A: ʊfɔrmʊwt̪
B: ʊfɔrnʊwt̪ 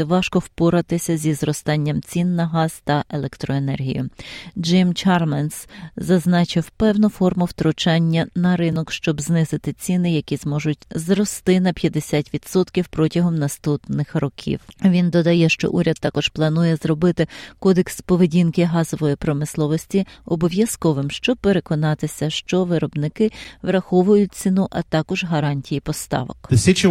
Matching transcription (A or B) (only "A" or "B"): A